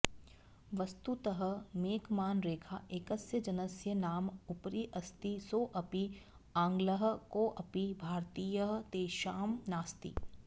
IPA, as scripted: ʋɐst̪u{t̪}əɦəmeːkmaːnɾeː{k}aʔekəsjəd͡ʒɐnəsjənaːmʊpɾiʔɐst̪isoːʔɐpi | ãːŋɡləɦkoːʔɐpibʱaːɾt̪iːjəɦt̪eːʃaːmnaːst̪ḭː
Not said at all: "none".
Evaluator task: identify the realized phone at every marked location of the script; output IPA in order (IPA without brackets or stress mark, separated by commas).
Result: t̪, kʰ